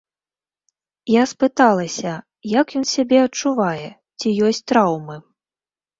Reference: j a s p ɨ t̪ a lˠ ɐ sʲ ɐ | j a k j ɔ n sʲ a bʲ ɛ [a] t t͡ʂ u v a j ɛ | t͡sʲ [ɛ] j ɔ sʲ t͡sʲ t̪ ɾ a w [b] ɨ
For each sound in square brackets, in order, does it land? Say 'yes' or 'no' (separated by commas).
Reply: no, no, no